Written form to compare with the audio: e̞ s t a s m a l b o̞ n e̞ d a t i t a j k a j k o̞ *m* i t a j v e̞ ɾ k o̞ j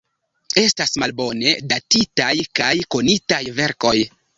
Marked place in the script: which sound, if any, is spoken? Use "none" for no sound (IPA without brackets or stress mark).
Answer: n